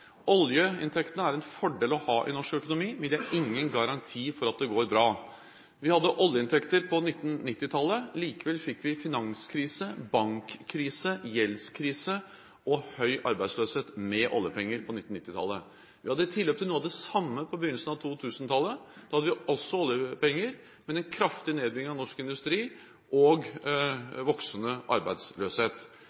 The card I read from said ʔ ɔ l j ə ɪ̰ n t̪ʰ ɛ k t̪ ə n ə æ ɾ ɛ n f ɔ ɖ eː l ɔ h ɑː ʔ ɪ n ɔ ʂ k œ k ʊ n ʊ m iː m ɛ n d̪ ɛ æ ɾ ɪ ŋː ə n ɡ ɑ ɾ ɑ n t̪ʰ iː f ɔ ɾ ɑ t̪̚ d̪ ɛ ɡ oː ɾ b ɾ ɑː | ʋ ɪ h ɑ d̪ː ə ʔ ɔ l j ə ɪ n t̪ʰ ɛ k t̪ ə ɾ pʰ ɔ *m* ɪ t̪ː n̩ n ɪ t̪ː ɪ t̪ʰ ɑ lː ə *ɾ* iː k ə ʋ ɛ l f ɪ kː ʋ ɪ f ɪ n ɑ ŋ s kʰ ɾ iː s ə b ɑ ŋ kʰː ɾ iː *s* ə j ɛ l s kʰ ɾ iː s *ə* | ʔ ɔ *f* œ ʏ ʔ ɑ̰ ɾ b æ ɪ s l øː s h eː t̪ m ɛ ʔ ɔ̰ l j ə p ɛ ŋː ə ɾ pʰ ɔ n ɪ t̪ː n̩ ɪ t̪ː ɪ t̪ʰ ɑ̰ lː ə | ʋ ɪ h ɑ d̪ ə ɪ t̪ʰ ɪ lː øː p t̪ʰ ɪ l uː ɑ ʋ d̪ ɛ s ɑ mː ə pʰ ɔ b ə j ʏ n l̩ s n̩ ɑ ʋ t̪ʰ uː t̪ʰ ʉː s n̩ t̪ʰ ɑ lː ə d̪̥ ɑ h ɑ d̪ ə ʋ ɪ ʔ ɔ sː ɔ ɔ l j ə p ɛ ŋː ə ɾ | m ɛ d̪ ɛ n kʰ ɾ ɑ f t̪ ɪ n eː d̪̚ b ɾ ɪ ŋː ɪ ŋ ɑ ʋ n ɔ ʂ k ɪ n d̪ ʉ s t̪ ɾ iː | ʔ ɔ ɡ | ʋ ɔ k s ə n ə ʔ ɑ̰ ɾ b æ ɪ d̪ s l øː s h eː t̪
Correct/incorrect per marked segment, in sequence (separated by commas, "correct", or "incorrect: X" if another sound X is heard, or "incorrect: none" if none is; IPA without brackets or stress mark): incorrect: n, incorrect: l, correct, correct, incorrect: h